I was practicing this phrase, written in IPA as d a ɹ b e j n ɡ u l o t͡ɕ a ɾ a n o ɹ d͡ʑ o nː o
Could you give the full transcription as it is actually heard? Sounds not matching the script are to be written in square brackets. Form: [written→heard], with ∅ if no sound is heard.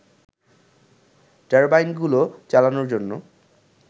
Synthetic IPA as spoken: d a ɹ b [e→a] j n ɡ u l o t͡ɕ a [ɾ→l] a n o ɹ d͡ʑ o nː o